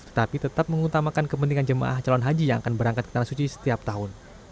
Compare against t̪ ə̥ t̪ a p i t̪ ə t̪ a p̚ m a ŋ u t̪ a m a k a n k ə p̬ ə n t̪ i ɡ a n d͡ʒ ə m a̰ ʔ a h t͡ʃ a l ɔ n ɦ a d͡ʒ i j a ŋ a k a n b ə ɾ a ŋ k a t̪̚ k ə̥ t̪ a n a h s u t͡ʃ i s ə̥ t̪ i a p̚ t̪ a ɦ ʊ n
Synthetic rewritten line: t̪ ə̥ t̪ a p i t̪ ə t̪ a p̚ m ə ŋ u t̪ a m a k a n k ə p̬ ə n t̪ i ŋ a n d͡ʒ ə m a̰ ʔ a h t͡ʃ a l ɔ n ɦ a d͡ʒ i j a ŋ a k a n b ə ɾ a ŋ k a t̪̚ k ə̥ t̪ a n a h s u t͡ʃ i s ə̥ t̪ i a p̚ t̪ a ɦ ʊ n